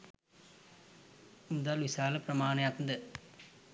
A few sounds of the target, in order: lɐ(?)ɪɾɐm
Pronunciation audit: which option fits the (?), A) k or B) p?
B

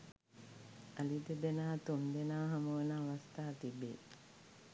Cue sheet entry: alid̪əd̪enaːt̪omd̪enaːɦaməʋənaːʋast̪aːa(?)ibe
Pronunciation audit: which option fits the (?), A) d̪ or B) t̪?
B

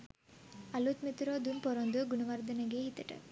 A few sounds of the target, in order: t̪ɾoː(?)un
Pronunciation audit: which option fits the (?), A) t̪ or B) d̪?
B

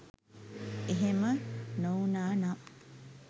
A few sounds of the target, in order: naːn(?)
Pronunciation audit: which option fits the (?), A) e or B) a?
B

